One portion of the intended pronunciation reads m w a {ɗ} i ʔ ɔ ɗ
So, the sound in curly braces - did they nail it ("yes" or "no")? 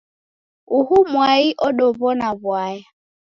no